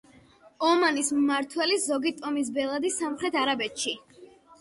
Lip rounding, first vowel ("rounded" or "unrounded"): rounded